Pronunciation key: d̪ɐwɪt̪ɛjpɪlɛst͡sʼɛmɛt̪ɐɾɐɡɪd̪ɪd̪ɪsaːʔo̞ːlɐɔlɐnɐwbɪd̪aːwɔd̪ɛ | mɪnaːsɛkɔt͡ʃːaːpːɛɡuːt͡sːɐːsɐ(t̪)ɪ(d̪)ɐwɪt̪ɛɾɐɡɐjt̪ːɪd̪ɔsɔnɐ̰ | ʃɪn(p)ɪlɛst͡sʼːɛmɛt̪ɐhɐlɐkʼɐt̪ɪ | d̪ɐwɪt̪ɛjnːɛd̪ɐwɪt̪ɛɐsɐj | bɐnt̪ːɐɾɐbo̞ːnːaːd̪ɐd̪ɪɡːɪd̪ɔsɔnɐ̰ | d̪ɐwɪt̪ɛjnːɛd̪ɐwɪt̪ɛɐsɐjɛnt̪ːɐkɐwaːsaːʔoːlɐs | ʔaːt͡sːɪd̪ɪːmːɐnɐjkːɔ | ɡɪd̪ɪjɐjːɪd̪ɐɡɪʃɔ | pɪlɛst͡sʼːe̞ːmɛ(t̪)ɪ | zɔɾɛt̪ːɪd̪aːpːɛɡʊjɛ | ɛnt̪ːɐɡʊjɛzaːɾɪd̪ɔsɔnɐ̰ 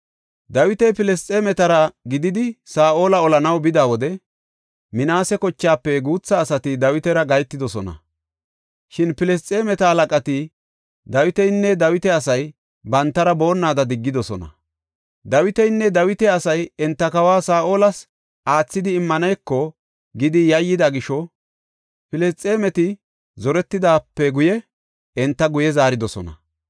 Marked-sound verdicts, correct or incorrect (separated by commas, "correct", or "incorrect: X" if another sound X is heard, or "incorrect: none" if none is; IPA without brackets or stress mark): correct, correct, correct, correct